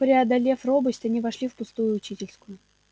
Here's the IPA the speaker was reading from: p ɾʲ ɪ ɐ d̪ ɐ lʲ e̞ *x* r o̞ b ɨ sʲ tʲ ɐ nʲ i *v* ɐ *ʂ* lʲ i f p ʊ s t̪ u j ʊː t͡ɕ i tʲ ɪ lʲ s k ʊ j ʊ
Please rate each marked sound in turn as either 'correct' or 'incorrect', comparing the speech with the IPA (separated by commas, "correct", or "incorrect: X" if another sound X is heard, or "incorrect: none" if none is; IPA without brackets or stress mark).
incorrect: f, correct, correct